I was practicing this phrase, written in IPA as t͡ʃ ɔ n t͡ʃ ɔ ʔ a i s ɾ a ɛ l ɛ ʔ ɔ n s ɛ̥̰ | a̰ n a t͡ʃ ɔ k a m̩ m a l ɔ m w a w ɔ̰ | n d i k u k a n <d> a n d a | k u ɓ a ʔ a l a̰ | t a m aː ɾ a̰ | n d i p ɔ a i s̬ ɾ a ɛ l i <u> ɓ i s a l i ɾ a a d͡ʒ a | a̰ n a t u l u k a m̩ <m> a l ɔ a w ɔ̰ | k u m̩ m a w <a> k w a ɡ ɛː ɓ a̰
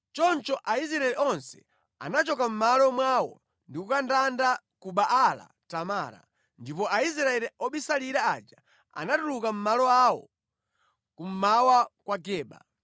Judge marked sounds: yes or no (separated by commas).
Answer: yes, no, yes, yes